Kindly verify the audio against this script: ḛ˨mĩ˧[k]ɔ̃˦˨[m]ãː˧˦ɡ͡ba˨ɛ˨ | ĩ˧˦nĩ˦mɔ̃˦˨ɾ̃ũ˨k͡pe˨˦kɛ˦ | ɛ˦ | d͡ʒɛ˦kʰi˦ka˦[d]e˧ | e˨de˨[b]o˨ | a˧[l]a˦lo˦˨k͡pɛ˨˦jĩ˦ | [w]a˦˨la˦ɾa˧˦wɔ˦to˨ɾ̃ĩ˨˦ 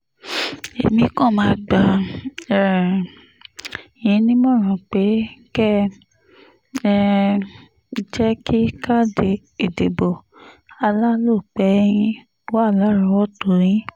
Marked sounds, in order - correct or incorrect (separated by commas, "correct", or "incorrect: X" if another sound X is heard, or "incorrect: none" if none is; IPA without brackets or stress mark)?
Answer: correct, correct, correct, correct, correct, correct